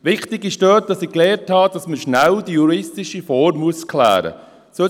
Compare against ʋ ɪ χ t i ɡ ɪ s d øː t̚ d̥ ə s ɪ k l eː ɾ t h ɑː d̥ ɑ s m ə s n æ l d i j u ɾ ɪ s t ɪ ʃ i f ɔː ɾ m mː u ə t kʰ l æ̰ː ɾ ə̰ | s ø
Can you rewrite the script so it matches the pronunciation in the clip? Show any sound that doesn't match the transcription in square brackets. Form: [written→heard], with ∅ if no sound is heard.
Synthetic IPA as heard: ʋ ɪ χ t [i→ɪ] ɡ ɪ [s→ʃ] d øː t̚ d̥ [ə→ɑ] s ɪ k l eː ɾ t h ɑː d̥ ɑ s m ə [s→ʃ] n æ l d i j u ɾ ɪ s t ɪ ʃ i f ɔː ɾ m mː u ə [t→s] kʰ l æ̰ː ɾ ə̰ | s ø

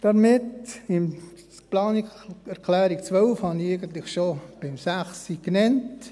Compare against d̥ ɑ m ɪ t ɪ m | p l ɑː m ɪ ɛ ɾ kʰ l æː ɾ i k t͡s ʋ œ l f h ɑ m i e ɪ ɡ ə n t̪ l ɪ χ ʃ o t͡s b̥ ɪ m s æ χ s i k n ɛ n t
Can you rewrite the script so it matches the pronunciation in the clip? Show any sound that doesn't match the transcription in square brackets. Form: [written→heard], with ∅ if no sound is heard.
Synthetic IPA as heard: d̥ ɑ m ɪ t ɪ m | p l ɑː [m→n] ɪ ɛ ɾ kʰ l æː ɾ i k t͡s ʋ œ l f h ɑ [m→n] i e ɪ ɡ ə n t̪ l ɪ χ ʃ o [t͡s→∅] b̥ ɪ m s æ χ s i k n ɛ n t

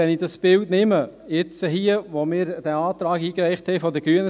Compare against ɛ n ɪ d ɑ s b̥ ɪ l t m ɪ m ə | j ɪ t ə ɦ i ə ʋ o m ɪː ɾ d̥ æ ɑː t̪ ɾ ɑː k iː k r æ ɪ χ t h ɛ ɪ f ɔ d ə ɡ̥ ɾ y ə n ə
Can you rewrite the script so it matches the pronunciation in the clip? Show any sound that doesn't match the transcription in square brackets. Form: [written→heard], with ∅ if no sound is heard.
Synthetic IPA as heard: ɛ n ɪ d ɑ s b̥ ɪ l t [m→n] ɪ m ə | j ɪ [t→t͡s] ə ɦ i ə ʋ o m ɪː ɾ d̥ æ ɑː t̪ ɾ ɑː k iː k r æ ɪ χ t h ɛ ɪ f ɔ d ə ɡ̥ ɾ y ə n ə

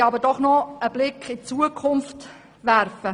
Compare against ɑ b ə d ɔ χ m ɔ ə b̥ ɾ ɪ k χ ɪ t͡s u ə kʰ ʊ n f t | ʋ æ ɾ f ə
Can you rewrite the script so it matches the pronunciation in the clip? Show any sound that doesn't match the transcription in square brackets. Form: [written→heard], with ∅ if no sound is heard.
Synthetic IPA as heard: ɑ b ə d ɔ χ [m→n] ɔ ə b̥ [ɾ→l] ɪ k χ ɪ t͡s u ə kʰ ʊ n f t | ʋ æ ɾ f ə

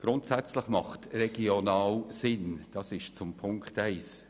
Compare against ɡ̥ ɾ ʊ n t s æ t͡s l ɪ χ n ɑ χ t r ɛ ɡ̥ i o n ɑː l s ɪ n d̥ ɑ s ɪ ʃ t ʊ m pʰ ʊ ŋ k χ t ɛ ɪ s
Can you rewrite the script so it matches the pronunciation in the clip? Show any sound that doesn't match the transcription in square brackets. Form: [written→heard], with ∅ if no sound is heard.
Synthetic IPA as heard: ɡ̥ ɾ ʊ n t s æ t͡s l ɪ χ [n→m] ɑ χ t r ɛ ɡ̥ i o n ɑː l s ɪ n d̥ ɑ s ɪ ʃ [t→t͡s] ʊ m pʰ ʊ ŋ k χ t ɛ ɪ s

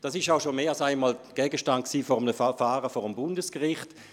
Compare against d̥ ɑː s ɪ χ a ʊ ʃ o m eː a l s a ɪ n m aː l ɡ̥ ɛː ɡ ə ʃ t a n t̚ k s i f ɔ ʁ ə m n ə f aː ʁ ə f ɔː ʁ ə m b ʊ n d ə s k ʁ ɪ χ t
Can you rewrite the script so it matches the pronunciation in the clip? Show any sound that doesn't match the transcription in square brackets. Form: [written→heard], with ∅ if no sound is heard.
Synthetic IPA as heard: d̥ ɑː s ɪ [χ→ʃ] a ʊ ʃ o m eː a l s a ɪ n m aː l ɡ̥ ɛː ɡ ə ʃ t a n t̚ k s [i→iː] f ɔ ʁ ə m n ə f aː ʁ ə f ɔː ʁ ə m b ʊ n d ə s k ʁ ɪ χ t

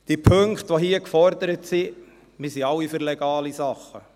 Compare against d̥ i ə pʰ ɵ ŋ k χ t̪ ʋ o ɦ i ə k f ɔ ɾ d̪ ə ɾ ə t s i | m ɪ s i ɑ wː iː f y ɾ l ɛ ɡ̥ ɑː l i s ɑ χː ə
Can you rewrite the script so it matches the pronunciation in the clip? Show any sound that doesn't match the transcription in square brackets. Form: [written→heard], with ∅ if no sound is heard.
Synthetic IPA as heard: d̥ i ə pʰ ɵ ŋ k χ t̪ ʋ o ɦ i ə k f ɔ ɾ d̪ ə ɾ ə t s i | m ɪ s i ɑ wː [iː→i] f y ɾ l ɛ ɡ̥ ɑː l i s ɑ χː ə

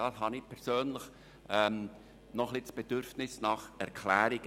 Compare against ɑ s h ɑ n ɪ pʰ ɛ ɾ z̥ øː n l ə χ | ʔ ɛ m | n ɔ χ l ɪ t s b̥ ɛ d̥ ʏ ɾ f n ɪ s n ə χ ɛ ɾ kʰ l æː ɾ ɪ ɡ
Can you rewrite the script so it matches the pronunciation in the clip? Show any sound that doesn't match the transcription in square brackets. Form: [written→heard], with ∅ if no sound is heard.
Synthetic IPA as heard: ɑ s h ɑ n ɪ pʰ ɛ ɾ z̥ øː n l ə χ | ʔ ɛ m | n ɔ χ l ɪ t s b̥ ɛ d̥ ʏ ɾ f n ɪ s n [ə→ɑ] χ ɛ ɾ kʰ l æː ɾ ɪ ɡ

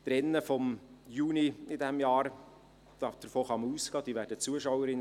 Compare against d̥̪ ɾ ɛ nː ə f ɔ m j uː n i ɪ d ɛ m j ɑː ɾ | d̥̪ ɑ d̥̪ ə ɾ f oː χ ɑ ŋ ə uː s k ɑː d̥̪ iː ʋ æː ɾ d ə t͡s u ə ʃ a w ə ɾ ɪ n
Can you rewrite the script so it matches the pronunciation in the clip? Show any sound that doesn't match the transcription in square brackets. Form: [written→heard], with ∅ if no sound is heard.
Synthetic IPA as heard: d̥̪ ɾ ɛ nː ə f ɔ m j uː n i ɪ d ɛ m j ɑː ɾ | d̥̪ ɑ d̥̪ ə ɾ f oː χ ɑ [ŋ→m] ə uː s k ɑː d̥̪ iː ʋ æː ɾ d ə t͡s u ə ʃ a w ə ɾ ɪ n

